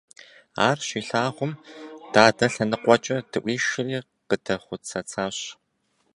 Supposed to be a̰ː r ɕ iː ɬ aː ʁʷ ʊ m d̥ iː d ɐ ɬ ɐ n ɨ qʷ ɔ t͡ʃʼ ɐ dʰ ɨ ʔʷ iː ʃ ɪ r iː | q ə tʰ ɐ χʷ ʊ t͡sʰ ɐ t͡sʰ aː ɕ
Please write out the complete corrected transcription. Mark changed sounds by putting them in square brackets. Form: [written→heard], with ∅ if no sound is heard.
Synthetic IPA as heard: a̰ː r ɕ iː ɬ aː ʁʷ ʊ m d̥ [iː→aː] d ɐ ɬ ɐ n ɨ qʷ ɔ t͡ʃʼ ɐ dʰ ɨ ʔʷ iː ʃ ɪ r iː | q ə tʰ ɐ χʷ ʊ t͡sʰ ɐ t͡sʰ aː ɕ